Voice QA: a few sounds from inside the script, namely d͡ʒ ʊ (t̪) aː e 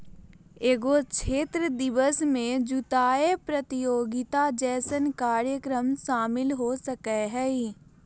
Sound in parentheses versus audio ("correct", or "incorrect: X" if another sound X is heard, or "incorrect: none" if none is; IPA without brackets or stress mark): correct